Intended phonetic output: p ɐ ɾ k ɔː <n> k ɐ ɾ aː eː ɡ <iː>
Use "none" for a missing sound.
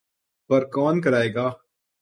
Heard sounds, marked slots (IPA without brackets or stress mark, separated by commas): n, aː